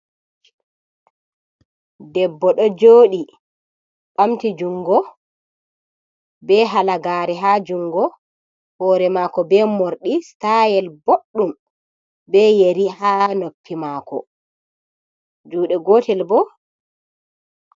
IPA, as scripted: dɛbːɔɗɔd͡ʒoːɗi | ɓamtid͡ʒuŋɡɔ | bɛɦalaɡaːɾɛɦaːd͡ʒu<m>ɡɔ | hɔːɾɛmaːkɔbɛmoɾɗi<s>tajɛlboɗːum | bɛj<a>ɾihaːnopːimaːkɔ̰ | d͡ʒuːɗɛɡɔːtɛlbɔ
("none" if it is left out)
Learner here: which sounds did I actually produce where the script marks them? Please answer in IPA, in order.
ŋ, s, e

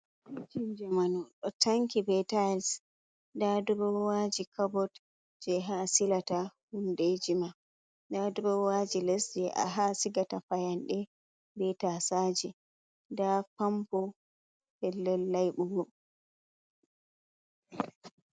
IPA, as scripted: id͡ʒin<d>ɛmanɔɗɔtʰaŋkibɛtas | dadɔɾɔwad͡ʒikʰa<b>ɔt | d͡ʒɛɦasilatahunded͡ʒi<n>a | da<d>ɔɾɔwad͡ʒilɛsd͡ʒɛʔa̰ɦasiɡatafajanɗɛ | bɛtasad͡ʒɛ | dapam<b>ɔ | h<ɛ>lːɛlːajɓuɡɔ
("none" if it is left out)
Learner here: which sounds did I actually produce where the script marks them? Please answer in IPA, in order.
d͡ʒ, b, m, d, p, ɛ

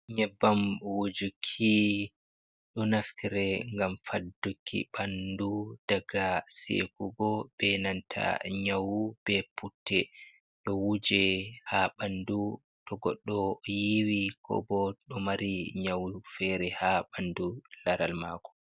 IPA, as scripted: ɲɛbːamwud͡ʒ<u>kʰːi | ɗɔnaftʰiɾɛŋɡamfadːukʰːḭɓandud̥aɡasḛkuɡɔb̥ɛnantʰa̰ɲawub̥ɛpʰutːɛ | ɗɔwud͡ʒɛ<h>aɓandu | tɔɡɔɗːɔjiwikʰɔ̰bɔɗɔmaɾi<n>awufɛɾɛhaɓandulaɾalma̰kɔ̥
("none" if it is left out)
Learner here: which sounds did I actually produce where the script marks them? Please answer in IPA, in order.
u, h, ɲ

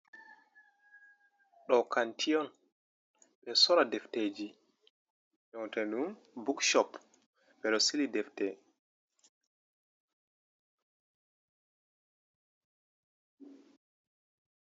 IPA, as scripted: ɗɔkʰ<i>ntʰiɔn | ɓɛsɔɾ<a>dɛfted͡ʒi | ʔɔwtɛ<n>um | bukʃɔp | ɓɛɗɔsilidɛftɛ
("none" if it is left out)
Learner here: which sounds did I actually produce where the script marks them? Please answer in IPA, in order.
a, a, n

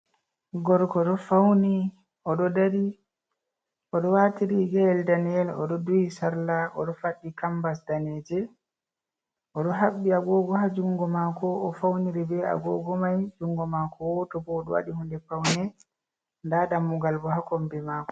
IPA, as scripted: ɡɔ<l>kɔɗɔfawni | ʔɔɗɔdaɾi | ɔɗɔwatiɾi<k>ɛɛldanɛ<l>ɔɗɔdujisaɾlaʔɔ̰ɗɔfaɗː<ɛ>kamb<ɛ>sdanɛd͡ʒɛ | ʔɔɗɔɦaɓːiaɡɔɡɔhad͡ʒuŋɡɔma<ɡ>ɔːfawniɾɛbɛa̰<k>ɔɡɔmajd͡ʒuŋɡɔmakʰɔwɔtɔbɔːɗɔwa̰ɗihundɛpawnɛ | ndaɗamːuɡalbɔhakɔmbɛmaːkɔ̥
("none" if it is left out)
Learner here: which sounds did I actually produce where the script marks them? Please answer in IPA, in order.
ɾ, ɡ, l, i, a, k, ɡ

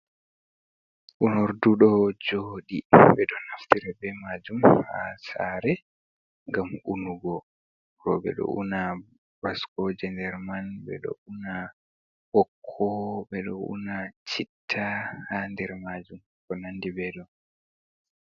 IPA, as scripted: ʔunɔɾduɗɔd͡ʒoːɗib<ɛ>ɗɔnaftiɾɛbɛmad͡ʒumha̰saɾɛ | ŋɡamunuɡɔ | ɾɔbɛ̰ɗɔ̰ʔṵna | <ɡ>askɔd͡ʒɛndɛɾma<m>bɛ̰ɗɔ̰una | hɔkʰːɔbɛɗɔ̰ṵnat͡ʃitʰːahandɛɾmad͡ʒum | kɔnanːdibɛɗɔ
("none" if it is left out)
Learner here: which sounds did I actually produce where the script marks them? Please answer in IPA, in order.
ɛ, b, n

